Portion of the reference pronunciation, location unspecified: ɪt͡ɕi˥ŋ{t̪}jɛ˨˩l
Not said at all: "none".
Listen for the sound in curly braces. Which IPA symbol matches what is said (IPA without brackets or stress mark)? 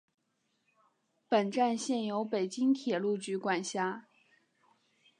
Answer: t̪ʰ